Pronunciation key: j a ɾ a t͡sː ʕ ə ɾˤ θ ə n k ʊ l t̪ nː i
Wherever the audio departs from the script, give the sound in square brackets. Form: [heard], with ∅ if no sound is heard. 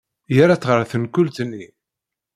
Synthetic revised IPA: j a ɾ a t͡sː [ʁ] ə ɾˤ θ ə n k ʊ l t̪ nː i